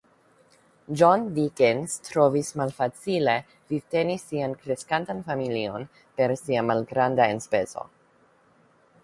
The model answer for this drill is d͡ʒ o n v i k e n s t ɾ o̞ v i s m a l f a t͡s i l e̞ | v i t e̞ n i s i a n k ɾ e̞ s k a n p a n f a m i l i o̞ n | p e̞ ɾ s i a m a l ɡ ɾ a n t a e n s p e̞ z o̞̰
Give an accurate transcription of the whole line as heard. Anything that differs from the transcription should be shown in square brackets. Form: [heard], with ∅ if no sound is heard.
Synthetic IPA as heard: d͡ʒ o n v i k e n s t ɾ o̞ v i s m a l f a t͡s i l e̞ | v i t e̞ n i s i a n k ɾ e̞ s k a n [t] a n f a m i l i o̞ n | p e̞ ɾ s i a m a l ɡ ɾ a n [d] a e n s p e̞ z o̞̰